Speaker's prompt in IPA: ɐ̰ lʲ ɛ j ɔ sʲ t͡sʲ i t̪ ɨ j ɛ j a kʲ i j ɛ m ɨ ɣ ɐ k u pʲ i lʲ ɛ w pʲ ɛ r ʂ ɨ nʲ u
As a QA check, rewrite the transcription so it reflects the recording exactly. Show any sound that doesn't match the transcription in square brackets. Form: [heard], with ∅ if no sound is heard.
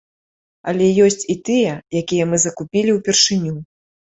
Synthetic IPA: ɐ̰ lʲ ɛ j ɔ sʲ t͡sʲ i t̪ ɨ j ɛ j a kʲ i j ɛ m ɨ [z] ɐ k u pʲ i lʲ [i] w pʲ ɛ r ʂ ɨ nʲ u